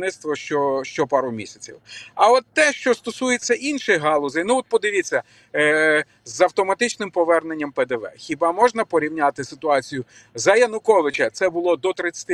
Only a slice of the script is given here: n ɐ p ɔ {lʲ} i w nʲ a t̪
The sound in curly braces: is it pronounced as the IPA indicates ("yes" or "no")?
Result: no